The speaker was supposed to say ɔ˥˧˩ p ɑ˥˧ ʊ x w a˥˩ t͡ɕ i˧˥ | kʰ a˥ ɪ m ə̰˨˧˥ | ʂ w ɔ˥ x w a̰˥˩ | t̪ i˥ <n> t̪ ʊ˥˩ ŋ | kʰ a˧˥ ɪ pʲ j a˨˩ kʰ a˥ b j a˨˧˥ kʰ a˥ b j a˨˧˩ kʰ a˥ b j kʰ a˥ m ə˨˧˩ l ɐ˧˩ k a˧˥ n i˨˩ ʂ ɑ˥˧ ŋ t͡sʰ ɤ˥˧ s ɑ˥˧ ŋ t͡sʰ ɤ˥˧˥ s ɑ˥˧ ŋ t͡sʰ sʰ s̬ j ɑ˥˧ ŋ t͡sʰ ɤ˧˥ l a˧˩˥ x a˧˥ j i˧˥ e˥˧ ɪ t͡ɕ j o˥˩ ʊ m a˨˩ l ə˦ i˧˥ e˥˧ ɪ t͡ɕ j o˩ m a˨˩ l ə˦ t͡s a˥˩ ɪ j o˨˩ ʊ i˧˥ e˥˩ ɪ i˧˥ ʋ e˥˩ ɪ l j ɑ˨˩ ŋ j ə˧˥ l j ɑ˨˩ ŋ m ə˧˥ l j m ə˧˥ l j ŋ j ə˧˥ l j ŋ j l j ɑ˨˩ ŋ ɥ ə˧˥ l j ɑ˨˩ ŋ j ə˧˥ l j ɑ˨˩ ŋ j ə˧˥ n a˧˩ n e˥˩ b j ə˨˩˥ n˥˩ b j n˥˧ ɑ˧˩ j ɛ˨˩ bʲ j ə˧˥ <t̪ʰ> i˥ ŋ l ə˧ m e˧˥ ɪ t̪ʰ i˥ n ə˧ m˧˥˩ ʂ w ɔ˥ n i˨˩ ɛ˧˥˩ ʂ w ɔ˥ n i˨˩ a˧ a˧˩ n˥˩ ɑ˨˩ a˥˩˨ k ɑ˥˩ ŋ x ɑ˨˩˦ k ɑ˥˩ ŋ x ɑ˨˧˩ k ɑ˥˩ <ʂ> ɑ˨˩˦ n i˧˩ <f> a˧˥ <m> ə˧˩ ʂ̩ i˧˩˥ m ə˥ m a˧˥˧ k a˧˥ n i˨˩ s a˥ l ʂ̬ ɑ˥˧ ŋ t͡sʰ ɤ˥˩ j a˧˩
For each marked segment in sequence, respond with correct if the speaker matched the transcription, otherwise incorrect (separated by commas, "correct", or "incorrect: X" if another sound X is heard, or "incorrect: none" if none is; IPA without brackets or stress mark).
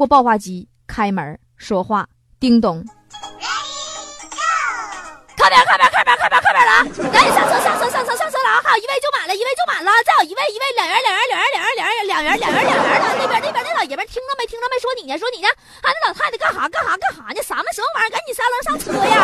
incorrect: ŋ, correct, incorrect: x, incorrect: s, correct